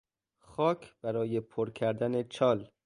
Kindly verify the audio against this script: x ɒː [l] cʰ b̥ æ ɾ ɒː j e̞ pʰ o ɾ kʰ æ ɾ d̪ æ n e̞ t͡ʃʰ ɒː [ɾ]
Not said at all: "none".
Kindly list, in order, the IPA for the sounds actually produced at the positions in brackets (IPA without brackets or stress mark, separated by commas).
none, l